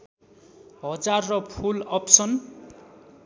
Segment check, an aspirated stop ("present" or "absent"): present